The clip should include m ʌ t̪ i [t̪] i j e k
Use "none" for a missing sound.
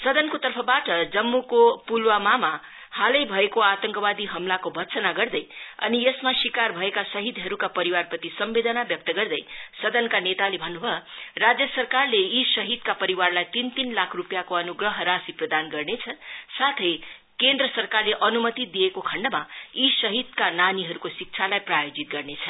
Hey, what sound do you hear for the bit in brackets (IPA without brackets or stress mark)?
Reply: d̪